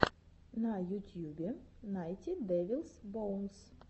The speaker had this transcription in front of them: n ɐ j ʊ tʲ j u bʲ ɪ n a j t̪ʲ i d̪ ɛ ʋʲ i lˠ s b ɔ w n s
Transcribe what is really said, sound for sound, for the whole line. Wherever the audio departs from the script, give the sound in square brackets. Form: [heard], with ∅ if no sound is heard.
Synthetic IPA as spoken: n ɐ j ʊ tʲ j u bʲ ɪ n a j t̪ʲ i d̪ ɛ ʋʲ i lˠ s b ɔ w n s